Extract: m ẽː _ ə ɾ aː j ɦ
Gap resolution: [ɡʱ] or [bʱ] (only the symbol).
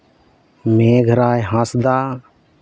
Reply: ɡʱ